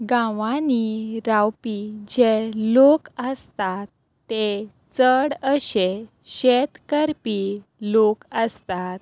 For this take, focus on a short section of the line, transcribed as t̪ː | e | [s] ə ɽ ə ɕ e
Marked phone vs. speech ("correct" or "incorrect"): incorrect